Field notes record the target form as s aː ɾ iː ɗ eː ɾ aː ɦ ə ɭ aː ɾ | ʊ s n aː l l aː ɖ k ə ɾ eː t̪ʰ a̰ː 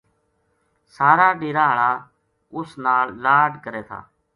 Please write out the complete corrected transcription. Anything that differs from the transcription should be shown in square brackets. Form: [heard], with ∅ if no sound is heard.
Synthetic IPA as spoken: s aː ɾ [aː] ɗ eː ɾ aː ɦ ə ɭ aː [∅] | ʊ s n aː l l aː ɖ k ə ɾ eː t̪ʰ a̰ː